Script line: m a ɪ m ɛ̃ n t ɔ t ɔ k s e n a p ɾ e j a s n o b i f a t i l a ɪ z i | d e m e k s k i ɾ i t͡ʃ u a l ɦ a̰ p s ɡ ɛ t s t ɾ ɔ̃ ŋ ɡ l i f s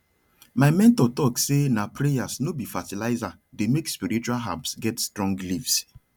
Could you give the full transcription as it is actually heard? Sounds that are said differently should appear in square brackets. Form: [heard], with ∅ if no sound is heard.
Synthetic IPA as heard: m a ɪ m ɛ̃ n t ɔ t ɔ k s e n a p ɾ e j a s n o b i f a t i l a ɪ z [a] | d e m e k s [p] i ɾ i t͡ʃ u a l ɦ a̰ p s ɡ ɛ t s t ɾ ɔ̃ ŋ ɡ l i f s